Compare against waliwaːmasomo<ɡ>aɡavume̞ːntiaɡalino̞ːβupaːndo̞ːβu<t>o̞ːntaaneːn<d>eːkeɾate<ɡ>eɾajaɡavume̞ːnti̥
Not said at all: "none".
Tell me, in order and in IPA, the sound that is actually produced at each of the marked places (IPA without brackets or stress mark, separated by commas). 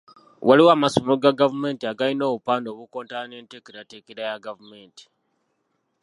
ɡ, k, t, k